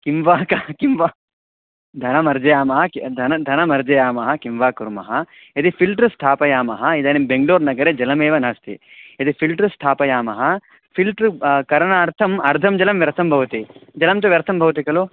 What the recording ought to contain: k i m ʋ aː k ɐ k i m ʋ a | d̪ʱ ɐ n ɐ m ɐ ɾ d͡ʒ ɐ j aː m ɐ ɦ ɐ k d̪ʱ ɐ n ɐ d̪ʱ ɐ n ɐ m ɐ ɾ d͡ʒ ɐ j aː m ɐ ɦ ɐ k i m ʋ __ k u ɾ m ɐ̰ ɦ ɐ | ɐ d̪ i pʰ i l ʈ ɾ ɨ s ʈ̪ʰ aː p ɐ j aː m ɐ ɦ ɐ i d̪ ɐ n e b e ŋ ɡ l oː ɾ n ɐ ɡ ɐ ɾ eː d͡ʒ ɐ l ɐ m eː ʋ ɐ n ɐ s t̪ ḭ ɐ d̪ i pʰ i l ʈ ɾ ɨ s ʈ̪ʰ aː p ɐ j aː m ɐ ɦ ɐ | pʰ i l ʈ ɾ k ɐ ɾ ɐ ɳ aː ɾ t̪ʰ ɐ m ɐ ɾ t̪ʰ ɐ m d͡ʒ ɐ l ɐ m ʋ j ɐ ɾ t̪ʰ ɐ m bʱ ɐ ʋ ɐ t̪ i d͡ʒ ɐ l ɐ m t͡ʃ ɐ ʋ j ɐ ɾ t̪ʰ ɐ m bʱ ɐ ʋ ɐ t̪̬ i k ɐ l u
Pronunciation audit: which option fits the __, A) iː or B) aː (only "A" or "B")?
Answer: B